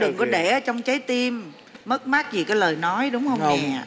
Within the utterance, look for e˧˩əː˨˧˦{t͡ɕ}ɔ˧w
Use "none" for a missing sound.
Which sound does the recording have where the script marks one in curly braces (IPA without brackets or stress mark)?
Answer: t͡ɕ